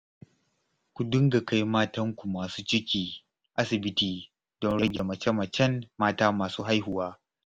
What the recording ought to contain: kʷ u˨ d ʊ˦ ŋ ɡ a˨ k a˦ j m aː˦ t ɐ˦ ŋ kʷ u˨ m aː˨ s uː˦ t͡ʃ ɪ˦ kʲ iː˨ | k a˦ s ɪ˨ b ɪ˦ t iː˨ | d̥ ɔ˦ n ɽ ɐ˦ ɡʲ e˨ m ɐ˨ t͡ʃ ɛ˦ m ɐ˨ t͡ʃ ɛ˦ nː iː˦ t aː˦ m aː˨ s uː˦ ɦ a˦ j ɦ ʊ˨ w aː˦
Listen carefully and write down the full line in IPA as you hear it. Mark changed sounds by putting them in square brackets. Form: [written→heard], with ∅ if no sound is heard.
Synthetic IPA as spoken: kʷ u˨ d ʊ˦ ŋ ɡ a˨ k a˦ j m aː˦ t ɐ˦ ŋ kʷ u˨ m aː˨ s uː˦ t͡ʃ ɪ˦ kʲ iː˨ | [k→ʔ] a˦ s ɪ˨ b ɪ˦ t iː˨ | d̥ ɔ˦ n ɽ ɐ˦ ɡʲ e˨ m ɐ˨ t͡ʃ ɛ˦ m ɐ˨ t͡ʃ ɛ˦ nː [iː˦→aː˦] t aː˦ m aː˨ s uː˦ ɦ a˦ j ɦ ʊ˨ w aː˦